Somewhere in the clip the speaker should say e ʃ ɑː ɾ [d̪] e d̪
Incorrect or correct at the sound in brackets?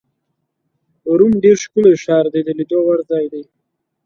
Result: correct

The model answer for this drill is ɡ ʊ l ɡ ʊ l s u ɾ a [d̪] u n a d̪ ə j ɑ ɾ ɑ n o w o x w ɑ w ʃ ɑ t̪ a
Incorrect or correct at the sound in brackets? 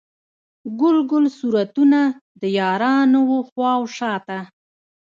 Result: incorrect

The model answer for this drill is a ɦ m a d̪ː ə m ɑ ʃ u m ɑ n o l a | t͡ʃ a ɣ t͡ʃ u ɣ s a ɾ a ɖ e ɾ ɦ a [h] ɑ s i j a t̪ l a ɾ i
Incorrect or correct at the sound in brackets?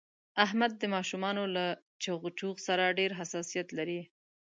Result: incorrect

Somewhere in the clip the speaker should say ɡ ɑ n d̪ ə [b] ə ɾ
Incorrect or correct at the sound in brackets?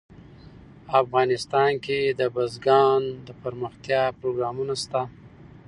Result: incorrect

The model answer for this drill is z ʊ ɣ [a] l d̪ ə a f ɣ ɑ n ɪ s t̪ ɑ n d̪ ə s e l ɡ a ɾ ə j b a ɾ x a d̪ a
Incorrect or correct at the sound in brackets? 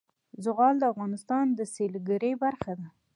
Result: incorrect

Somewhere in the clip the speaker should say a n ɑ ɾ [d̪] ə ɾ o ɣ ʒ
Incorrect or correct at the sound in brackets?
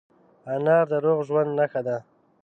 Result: correct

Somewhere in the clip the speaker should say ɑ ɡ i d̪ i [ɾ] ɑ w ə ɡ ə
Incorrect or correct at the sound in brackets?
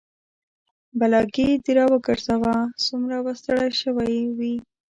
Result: correct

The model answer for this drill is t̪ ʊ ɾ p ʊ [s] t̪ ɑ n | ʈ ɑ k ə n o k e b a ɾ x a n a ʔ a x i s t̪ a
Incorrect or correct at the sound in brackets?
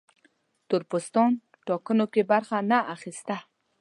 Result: correct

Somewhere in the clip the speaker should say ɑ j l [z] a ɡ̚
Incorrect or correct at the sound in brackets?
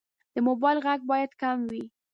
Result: incorrect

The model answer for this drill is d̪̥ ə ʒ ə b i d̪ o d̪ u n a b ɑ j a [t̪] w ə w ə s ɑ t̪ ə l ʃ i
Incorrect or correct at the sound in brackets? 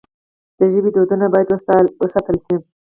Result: incorrect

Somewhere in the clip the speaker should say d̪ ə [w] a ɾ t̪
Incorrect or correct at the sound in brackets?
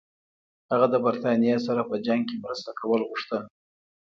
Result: incorrect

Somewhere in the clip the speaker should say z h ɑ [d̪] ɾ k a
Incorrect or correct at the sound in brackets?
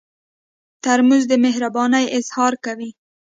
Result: incorrect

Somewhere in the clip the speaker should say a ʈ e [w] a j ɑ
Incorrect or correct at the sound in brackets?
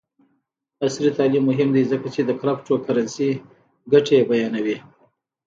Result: incorrect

